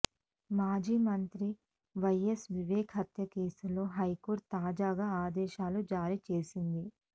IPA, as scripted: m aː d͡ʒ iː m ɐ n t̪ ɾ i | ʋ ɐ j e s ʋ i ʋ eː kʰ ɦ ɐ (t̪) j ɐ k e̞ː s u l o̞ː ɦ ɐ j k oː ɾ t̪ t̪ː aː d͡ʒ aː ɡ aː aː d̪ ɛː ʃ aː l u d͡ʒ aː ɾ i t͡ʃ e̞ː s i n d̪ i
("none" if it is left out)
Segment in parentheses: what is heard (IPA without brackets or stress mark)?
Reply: t̪